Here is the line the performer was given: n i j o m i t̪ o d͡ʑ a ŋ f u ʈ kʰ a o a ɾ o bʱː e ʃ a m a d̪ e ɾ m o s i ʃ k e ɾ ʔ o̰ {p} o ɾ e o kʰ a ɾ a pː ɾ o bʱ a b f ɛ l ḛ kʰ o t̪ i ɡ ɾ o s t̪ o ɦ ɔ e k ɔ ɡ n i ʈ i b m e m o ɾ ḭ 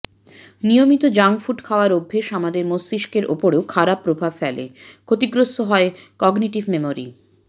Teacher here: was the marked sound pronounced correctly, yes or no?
yes